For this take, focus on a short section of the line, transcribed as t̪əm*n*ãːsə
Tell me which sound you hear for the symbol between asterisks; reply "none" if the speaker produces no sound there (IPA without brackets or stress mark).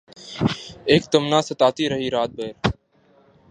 n